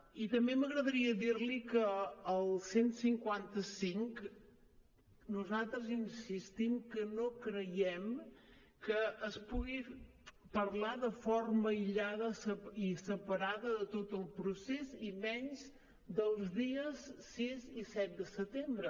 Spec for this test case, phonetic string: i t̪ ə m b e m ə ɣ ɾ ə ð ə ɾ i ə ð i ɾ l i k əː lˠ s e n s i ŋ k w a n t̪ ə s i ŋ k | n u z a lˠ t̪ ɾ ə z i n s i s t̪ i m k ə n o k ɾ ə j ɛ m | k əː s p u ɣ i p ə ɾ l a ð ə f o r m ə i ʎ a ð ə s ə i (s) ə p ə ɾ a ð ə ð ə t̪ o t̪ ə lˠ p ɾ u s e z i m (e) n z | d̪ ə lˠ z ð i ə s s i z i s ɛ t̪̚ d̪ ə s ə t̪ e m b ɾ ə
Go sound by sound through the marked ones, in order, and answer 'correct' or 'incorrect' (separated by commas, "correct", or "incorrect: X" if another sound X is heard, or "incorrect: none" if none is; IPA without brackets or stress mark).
correct, incorrect: ɛ